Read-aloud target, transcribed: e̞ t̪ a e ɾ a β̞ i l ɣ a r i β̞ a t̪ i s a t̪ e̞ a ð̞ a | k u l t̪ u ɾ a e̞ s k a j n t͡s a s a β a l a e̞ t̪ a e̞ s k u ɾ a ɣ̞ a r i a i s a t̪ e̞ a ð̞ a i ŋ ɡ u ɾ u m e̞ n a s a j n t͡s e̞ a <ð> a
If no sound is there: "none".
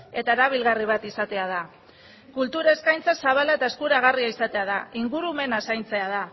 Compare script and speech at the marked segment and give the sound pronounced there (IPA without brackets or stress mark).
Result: ð